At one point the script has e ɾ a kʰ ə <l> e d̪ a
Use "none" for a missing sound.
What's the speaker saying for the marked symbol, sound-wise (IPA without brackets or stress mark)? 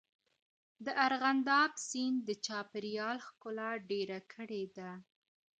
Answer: ɽ